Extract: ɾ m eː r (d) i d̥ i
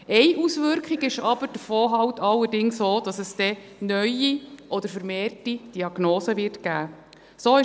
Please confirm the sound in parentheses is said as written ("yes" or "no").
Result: no